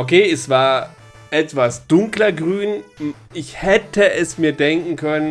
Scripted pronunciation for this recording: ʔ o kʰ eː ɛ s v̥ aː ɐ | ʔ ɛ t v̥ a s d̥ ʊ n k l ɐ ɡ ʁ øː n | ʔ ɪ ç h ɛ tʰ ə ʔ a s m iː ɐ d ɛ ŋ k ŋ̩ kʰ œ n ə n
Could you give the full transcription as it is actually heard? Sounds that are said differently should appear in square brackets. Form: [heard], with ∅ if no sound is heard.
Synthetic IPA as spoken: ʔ o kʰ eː ɛ s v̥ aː ɐ | ʔ ɛ t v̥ a s d̥ ʊ [ŋ] k l ɐ ɡ ʁ [yː] n | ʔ ɪ ç h ɛ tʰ ə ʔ [ɛ] s m iː ɐ d ɛ ŋ k ŋ̩ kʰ œ n ə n